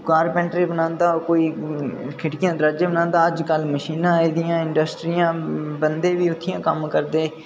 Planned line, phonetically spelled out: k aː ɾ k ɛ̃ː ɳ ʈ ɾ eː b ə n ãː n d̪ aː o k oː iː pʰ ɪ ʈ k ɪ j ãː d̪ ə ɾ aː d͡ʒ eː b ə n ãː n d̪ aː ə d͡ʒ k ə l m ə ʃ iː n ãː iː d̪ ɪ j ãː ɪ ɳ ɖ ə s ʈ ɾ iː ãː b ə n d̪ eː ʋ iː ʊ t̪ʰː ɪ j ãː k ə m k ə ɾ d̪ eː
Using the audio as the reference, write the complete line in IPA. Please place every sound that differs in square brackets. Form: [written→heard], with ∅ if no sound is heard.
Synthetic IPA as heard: k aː ɾ [k→p] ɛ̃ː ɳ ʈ ɾ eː b ə n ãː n d̪ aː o k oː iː [pʰ→kʰ] ɪ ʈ k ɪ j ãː d̪ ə ɾ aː d͡ʒ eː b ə n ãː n d̪ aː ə d͡ʒ k ə l m ə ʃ iː n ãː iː d̪ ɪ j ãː ɪ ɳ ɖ ə s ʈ ɾ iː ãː b ə n d̪ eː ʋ iː ʊ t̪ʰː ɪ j ãː k ə m k ə ɾ d̪ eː

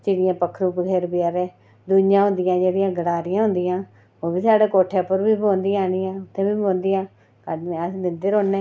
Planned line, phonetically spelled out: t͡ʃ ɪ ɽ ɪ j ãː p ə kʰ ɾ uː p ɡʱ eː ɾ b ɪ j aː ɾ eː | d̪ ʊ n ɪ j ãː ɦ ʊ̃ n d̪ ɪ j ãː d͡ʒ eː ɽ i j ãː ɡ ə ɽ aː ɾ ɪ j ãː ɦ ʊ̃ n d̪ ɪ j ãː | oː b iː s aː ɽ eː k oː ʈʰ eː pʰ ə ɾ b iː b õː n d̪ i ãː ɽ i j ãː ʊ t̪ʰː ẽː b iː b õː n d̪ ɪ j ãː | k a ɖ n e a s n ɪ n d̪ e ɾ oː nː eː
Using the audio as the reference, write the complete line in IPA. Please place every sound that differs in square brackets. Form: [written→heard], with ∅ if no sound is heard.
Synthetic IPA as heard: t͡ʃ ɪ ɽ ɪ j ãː p ə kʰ ɾ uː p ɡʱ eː ɾ b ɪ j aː ɾ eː | d̪ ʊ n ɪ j ãː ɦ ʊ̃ n d̪ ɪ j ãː d͡ʒ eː ɽ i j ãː ɡ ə ɽ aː ɾ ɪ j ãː ɦ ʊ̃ n d̪ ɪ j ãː | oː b iː s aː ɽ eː k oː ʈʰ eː [pʰ→p] ə ɾ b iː b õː n d̪ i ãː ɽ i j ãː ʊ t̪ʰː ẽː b iː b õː n d̪ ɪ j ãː | k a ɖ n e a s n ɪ n d̪ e ɾ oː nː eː

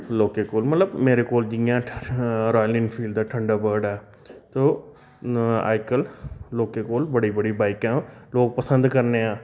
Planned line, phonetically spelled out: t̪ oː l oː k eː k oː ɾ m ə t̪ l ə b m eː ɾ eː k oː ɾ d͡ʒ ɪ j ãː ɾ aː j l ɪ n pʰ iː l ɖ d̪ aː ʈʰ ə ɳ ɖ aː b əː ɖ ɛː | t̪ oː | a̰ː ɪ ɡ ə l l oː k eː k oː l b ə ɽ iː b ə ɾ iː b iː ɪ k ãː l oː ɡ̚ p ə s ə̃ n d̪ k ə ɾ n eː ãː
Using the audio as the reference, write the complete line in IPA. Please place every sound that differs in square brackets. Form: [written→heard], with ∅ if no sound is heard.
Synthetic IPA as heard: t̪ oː l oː k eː k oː [ɾ→l] m ə t̪ l ə b m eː ɾ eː k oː [ɾ→l] d͡ʒ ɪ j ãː ɾ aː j l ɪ n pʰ iː l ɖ d̪ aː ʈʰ ə ɳ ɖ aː b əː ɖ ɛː | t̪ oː | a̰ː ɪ [ɡ→k] ə l l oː k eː k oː l b ə ɽ iː b ə [ɾ→ɽ] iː b [iː→aː] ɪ k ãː l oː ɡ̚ p ə s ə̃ n d̪ k ə ɾ n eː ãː

